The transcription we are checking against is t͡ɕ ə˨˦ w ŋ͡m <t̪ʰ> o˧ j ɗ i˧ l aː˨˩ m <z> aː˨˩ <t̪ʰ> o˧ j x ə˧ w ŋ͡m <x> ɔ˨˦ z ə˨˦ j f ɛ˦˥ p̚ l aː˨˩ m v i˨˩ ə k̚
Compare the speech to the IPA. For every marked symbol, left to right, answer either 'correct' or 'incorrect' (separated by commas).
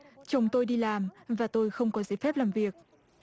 incorrect, incorrect, incorrect, incorrect